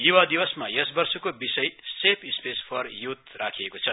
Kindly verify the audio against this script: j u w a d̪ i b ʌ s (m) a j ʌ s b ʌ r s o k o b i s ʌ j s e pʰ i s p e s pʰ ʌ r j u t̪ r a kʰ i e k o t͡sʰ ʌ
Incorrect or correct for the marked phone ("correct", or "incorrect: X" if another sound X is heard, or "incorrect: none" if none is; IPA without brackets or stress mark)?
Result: correct